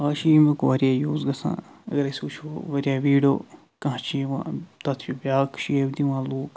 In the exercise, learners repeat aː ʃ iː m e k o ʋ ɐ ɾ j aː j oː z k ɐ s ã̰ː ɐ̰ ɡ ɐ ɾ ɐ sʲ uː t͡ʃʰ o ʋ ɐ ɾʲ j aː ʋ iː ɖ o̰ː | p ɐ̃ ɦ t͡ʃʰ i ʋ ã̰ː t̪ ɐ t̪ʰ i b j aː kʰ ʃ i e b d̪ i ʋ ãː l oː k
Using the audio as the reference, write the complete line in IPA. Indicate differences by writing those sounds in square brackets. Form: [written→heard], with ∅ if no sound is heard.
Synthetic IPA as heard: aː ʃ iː m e k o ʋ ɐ ɾ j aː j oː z [k→ɡ] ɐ s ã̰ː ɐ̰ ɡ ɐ ɾ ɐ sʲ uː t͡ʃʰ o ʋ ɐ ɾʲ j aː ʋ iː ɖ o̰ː | [p→k] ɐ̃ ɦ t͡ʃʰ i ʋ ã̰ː t̪ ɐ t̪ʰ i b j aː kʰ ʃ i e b d̪ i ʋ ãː l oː k